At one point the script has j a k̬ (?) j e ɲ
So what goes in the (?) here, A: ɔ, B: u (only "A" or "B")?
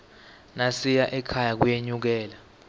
B